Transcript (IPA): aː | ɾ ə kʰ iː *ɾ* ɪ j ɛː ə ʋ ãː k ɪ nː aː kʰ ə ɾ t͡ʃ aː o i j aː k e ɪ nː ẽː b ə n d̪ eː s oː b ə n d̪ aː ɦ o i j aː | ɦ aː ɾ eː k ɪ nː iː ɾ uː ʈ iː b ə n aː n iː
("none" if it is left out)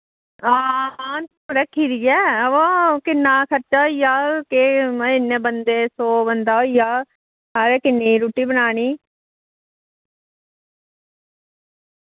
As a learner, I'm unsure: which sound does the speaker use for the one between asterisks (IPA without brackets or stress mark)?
ɾ